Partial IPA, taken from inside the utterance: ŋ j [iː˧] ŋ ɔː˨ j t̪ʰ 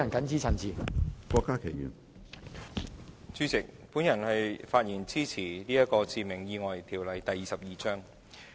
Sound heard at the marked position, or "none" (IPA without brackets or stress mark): iː˧